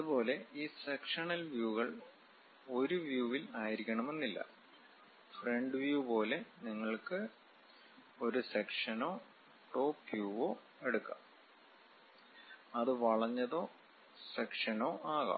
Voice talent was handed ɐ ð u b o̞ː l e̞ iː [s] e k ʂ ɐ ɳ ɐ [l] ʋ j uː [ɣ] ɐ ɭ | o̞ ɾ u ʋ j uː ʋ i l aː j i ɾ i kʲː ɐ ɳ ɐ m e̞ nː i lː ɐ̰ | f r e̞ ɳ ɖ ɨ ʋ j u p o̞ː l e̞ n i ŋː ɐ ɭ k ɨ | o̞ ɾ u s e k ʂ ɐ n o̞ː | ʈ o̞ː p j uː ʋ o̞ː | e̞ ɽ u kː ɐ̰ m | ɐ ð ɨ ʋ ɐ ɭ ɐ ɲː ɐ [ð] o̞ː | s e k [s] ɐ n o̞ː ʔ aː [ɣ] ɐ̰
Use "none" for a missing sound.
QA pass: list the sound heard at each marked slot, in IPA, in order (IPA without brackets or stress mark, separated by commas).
s, l, ɣ, ð, ʂ, ɣ